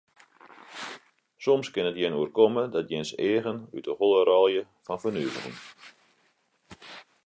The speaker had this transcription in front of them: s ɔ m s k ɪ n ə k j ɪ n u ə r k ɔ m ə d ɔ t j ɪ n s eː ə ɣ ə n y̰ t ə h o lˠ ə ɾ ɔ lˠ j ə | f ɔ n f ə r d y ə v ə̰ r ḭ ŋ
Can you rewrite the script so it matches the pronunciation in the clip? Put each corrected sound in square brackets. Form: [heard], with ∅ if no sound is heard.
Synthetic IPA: s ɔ m s k ɪ n ə [t] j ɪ n u ə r k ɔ m ə d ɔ t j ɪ n s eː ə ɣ ə n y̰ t ə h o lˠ ə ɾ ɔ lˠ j ə | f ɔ n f ə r [n] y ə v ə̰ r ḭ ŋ